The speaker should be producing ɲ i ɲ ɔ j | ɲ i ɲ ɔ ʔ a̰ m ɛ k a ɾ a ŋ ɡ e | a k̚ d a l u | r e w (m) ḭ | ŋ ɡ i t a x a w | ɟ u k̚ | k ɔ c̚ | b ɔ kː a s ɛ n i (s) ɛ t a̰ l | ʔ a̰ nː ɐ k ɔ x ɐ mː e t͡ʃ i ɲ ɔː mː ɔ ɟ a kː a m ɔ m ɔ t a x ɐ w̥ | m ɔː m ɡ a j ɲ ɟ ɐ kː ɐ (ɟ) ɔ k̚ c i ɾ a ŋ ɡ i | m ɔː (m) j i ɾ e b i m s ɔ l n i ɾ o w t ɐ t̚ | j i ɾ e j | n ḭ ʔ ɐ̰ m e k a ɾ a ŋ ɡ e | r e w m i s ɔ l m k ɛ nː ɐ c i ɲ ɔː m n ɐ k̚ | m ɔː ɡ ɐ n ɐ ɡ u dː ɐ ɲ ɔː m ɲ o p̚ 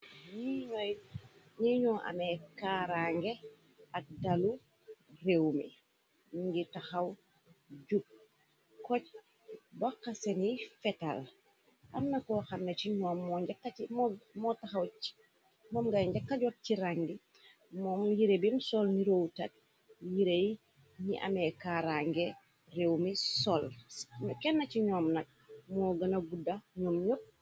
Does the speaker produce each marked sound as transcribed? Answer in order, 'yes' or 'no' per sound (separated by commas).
yes, no, yes, yes